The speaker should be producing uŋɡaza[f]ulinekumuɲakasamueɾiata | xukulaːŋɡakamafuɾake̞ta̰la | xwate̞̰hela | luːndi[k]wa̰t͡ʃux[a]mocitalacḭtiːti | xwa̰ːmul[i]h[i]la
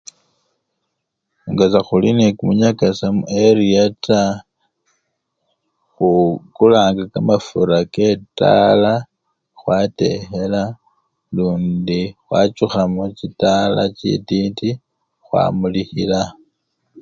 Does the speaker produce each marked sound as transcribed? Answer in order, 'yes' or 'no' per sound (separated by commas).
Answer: no, no, yes, yes, yes